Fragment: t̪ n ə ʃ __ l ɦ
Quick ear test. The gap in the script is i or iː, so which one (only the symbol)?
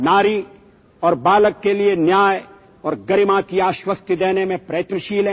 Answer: iː